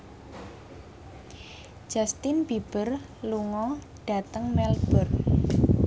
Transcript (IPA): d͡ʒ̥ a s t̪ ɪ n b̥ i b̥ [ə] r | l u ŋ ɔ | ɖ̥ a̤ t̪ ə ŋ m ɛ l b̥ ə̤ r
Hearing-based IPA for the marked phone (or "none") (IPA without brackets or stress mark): ə